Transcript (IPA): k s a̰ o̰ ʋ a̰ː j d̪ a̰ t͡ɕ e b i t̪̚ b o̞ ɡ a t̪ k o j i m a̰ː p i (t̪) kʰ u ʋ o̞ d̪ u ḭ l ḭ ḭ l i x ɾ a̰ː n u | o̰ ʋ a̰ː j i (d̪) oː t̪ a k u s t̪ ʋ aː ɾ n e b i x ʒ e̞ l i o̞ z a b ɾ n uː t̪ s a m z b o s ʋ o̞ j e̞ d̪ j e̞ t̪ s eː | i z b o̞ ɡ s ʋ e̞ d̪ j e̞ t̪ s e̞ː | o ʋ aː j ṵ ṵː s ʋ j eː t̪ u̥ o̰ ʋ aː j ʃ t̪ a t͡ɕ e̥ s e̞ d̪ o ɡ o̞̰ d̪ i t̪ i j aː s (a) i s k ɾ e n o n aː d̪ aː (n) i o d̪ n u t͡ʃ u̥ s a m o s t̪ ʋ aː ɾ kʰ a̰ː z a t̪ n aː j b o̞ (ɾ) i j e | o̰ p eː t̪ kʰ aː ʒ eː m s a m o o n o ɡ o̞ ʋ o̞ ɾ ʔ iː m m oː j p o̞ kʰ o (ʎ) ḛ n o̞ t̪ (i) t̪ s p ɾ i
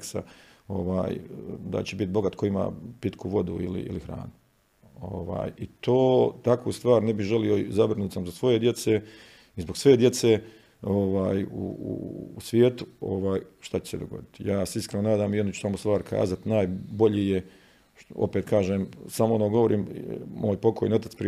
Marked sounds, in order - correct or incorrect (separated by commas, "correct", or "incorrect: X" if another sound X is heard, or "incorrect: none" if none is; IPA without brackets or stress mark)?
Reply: correct, incorrect: t̪, incorrect: e, incorrect: m, incorrect: ʎ, incorrect: j, incorrect: a